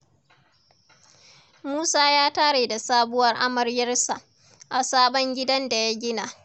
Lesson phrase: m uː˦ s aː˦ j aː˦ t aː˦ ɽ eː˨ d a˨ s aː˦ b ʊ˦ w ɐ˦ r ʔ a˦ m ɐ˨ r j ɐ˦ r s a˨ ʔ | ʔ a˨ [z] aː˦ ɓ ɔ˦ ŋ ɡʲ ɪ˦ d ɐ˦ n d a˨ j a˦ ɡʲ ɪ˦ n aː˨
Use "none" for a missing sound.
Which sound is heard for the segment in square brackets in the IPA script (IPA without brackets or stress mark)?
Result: s